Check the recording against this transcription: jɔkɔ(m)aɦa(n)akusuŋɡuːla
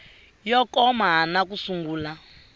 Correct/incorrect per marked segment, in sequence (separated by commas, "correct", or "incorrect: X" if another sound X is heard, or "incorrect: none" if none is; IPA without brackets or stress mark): correct, correct